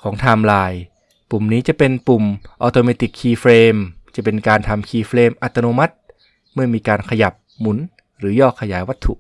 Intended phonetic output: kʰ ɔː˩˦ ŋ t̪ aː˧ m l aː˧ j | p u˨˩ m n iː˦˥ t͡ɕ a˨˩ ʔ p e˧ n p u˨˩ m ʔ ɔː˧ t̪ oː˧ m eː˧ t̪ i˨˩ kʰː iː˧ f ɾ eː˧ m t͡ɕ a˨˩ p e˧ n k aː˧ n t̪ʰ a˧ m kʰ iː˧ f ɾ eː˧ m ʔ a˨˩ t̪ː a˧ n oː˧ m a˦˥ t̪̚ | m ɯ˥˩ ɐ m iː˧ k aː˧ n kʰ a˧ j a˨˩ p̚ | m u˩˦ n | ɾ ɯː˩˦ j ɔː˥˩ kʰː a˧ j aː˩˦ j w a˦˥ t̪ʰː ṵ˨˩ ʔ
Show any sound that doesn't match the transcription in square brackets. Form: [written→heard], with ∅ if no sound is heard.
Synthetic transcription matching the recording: kʰ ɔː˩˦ ŋ [t̪→t̪ʰ] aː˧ m l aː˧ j | p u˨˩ m n iː˦˥ t͡ɕ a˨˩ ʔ p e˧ n p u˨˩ m ʔ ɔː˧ t̪ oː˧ m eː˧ t̪ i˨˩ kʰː iː˧ f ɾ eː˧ m t͡ɕ a˨˩ p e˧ n k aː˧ n t̪ʰ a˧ m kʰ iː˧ f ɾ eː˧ m ʔ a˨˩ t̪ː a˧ n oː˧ m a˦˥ t̪̚ | m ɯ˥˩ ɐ m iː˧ k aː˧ n kʰ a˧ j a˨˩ p̚ | m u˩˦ n | ɾ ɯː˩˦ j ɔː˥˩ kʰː a˧ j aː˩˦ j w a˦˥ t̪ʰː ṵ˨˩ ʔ